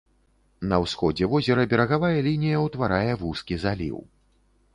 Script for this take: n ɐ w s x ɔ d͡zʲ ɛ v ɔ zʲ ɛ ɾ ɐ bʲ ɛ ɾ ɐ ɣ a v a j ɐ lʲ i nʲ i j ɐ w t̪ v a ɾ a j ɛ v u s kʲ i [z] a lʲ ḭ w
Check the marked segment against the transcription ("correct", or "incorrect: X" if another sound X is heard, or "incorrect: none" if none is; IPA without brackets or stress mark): correct